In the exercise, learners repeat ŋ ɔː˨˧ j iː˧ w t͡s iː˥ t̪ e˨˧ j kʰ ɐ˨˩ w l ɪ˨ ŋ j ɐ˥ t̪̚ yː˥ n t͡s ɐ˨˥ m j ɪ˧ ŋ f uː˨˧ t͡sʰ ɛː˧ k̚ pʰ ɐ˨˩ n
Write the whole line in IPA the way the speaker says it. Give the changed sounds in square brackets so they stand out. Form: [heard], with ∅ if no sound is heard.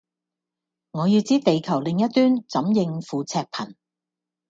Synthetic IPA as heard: ŋ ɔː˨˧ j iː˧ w t͡s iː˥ t̪ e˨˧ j kʰ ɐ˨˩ w l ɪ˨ ŋ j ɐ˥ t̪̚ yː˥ n t͡s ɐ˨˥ m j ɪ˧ ŋ f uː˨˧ t͡sʰ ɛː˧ k̚ pʰ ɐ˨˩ n